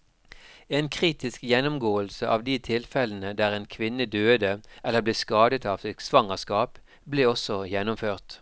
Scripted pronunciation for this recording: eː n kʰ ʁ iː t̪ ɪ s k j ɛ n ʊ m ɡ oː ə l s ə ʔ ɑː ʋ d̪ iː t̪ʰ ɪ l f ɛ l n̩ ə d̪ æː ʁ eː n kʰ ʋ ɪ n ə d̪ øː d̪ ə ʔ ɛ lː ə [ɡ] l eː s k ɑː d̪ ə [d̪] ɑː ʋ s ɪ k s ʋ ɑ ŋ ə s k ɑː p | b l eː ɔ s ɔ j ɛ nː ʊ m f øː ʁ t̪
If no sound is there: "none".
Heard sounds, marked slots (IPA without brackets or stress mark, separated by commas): b, t̪